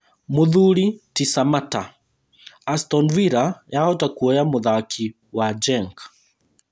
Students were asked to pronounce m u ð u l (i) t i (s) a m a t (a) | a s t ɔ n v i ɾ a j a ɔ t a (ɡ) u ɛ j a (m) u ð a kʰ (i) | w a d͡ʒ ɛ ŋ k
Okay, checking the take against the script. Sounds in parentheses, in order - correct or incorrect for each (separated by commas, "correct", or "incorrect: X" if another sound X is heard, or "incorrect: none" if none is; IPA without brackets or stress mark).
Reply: correct, correct, correct, incorrect: k, correct, correct